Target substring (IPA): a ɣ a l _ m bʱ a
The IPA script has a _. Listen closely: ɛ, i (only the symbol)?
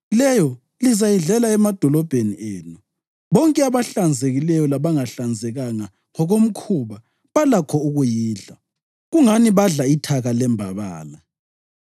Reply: ɛ